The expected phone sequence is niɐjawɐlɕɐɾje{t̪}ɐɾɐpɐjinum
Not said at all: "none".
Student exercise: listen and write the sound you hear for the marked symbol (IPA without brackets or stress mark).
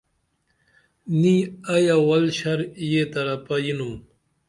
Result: t̪